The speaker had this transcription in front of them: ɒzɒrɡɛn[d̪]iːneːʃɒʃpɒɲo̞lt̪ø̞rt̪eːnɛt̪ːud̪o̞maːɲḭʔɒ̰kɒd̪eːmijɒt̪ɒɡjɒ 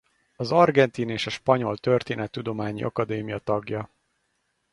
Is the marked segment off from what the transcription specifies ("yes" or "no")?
yes